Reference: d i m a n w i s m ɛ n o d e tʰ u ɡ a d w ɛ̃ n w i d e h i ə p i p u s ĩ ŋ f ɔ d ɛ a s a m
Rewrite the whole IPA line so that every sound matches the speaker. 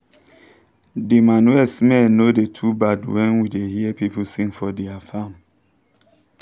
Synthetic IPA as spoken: d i m a n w ɛ s m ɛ n o d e tʰ u b a d w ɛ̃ n w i d e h i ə p i p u s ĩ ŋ f ɔ d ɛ a f a m